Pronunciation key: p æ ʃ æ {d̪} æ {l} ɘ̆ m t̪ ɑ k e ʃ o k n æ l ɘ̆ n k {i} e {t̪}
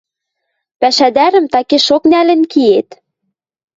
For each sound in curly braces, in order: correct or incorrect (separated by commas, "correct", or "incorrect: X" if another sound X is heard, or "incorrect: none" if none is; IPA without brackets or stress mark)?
correct, incorrect: ɾ, correct, correct